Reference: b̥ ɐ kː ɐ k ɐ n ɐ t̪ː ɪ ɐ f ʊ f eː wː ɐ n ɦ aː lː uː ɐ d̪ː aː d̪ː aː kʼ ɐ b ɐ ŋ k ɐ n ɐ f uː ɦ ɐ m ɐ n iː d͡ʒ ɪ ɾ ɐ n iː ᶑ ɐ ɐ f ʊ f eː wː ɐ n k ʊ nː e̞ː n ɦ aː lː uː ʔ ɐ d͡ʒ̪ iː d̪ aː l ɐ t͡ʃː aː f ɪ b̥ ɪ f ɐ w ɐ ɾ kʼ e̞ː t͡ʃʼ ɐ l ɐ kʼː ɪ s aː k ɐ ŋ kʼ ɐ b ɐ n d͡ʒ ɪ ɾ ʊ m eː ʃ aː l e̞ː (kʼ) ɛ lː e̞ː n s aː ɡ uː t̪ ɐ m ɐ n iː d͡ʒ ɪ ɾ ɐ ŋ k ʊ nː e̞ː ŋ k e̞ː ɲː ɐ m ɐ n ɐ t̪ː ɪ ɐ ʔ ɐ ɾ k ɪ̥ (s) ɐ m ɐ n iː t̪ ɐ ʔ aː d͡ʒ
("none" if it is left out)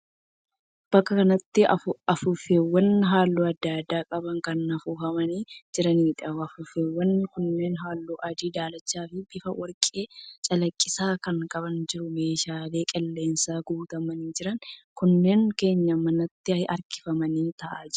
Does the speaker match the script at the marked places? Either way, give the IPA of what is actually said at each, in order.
kʼ, f

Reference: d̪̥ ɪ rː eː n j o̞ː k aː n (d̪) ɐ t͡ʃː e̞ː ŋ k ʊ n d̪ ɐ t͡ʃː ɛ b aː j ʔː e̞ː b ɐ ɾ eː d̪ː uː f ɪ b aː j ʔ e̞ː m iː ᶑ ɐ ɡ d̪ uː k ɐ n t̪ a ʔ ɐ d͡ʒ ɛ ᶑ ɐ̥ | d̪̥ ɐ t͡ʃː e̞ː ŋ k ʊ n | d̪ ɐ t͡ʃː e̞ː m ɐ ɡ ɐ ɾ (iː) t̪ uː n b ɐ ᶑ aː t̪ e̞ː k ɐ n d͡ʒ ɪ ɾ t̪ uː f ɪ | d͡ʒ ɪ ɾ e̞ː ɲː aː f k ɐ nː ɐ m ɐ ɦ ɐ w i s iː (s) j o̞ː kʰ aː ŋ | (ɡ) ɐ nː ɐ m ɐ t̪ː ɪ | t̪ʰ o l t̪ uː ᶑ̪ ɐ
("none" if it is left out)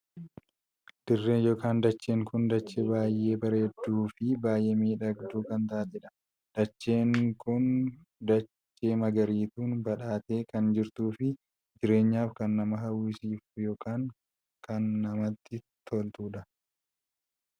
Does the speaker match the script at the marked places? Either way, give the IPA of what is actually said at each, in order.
d̪, iː, f, k

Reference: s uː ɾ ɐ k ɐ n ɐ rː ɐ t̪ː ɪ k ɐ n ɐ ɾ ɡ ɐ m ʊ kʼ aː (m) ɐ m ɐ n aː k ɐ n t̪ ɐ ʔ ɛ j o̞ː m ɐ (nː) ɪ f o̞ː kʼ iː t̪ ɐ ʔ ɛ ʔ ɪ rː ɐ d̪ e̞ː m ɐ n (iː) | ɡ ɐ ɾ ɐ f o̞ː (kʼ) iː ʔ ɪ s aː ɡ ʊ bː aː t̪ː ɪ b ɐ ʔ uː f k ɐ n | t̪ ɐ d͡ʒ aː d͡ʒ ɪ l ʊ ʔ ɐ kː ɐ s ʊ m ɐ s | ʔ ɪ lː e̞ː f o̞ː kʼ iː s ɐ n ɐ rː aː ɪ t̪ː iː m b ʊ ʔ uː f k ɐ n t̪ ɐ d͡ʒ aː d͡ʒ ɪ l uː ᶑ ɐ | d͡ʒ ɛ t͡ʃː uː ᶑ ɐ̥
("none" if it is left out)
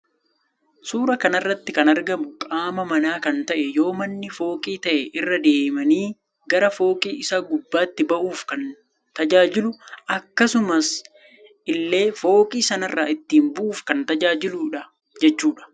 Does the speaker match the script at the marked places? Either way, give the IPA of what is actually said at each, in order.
m, nː, iː, kʼ

